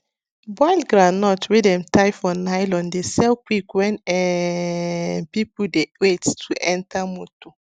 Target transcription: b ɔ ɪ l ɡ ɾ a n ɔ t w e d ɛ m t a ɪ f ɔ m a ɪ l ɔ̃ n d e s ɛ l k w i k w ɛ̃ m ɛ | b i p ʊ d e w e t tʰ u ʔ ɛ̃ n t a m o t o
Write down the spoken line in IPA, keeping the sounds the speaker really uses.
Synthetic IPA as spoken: b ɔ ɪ l ɡ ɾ a n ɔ t w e d ɛ m t a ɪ f ɔ n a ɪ l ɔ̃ n d e s ɛ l k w i k w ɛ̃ n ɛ | p i p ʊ d e w e t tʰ u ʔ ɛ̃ n t a m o t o